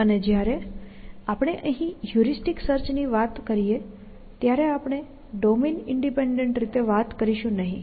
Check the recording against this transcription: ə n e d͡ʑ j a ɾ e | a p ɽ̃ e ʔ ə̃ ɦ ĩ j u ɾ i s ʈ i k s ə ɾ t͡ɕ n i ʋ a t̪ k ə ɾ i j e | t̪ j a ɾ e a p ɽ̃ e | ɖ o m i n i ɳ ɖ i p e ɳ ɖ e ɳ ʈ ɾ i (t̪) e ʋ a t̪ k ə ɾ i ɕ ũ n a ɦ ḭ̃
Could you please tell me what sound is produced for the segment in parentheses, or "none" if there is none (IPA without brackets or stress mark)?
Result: t̪